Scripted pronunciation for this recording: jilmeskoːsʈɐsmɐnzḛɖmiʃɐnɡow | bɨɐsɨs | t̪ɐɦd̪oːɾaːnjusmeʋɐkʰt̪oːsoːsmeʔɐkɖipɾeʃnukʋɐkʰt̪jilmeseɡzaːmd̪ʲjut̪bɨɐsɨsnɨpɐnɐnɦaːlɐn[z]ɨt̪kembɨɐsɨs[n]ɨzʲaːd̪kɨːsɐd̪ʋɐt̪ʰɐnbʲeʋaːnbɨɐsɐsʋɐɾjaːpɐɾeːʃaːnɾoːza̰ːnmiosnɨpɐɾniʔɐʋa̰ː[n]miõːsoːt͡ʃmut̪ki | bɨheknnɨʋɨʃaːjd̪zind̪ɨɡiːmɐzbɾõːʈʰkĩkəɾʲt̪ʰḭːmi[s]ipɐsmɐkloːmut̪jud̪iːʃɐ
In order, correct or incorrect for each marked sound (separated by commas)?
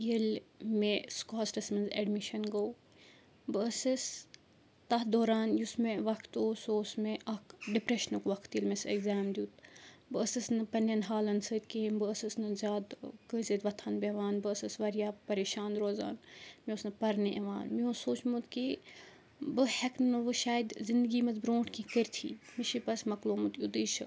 incorrect, correct, correct, incorrect